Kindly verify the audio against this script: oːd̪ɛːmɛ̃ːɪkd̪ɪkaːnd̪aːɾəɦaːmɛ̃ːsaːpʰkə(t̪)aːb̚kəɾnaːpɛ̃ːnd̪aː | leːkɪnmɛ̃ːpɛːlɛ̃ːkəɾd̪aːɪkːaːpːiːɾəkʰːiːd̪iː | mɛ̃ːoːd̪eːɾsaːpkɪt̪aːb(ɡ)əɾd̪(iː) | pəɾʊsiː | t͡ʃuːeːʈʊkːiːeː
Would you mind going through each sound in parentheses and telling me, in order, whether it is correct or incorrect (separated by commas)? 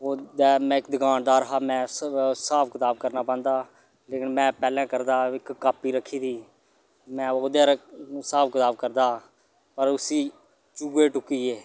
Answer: correct, incorrect, incorrect